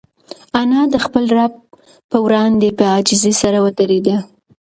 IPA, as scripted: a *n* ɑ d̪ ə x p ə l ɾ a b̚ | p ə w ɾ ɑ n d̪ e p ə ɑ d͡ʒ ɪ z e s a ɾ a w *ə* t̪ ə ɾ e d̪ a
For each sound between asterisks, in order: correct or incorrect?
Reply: correct, correct

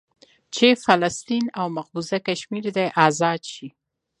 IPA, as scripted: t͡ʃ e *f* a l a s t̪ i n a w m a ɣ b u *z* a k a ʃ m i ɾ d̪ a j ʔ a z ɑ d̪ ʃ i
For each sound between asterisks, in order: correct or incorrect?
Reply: correct, correct

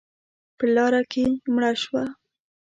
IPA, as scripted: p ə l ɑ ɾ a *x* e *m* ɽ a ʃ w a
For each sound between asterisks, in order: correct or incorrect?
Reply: incorrect, correct

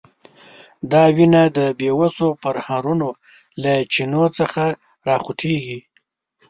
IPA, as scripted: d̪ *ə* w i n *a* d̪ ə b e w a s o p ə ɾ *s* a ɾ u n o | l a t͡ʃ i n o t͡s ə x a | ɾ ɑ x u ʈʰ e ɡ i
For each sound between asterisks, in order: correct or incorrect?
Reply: incorrect, correct, incorrect

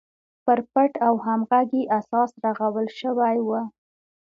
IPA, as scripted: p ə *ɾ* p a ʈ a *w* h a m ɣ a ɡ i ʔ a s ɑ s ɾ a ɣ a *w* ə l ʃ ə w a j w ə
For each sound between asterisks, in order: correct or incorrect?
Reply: correct, correct, correct

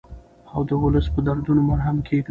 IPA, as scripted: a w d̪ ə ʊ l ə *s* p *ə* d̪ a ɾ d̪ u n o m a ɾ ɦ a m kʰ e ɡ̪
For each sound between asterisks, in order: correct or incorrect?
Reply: correct, correct

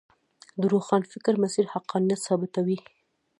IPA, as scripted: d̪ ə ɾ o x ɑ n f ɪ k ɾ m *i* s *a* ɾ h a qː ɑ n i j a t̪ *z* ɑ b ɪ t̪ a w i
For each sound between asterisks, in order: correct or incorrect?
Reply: incorrect, incorrect, incorrect

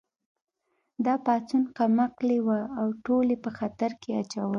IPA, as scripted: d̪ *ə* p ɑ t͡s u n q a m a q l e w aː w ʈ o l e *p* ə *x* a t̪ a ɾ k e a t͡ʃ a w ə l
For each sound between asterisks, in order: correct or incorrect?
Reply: incorrect, correct, correct

